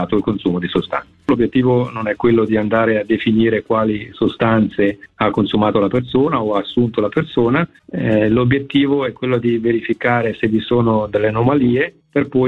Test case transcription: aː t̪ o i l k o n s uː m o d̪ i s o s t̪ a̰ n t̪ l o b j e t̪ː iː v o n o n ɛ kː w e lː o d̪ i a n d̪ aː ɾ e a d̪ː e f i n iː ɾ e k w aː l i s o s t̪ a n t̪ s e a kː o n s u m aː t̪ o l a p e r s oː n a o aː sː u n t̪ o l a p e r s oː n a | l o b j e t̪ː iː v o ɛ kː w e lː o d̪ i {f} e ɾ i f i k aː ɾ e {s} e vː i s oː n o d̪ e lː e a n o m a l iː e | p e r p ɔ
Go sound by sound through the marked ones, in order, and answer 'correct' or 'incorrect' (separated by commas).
incorrect, correct